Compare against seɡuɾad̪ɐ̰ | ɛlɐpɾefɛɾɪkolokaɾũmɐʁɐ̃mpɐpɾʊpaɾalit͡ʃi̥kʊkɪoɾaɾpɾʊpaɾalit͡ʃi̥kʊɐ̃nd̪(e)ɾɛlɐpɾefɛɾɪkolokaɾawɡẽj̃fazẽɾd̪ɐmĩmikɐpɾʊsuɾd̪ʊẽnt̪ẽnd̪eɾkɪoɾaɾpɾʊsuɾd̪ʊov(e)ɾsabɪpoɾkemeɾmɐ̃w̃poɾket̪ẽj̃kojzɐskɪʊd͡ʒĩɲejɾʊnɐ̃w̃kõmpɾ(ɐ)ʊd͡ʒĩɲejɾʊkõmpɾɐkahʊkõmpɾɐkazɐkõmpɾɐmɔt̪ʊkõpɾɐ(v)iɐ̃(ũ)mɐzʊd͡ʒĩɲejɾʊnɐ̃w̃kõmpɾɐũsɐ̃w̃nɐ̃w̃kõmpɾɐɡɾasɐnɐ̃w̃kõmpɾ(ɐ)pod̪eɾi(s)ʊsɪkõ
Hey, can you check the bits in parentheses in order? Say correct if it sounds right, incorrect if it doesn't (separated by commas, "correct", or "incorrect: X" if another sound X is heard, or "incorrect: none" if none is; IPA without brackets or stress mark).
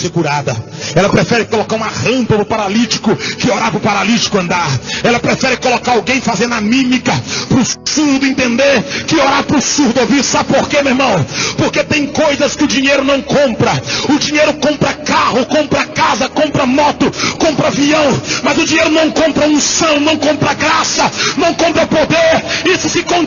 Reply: incorrect: a, incorrect: i, correct, correct, incorrect: w̃, correct, correct